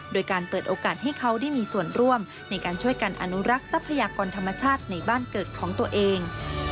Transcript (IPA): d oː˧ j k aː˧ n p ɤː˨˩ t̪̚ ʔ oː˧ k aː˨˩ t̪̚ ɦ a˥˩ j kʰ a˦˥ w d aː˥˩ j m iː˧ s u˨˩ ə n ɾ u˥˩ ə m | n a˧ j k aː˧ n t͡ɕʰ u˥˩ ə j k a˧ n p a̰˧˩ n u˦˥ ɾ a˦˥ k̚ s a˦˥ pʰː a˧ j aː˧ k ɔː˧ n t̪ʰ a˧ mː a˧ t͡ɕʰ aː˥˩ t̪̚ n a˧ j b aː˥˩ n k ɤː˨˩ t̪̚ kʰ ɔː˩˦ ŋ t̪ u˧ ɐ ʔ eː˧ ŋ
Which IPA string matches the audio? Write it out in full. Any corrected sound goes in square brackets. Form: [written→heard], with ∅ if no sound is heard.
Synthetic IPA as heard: d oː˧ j k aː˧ n p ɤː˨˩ t̪̚ ʔ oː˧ k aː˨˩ t̪̚ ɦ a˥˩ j kʰ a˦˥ w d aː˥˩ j m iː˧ s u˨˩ ə n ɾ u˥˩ ə m | n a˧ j k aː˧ n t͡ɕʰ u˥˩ ə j k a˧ n [p→ʔ] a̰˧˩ n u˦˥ ɾ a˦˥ k̚ s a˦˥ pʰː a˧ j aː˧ k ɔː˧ n t̪ʰ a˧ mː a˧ t͡ɕʰ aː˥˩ t̪̚ n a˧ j b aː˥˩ n k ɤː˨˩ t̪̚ kʰ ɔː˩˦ ŋ t̪ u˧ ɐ ʔ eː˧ ŋ